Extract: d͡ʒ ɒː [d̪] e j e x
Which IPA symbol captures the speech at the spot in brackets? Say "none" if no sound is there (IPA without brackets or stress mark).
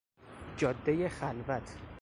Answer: d̪ː